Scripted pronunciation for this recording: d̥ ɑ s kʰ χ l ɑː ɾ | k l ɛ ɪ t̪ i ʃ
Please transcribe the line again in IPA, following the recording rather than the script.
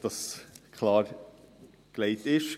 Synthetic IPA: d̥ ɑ s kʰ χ l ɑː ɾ | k l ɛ ɪ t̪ ɪ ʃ